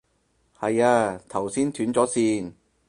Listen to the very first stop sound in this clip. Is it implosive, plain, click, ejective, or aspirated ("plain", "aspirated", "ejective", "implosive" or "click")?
aspirated